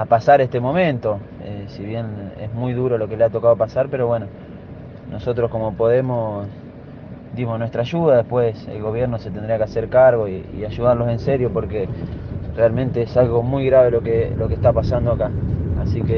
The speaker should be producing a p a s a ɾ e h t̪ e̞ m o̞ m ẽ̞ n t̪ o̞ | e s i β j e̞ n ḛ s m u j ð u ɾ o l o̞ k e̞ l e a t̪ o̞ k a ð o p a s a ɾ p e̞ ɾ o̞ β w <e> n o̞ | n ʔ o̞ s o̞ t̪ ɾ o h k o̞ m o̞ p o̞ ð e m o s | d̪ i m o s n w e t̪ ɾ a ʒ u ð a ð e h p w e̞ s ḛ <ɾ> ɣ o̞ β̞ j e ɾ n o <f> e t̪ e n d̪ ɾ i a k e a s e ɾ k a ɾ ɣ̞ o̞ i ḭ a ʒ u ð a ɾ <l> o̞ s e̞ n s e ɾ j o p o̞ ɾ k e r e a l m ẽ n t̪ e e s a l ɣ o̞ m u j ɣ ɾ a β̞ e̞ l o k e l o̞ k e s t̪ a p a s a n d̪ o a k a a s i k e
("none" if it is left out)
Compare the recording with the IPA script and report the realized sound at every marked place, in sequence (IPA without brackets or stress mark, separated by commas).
e, l, s, l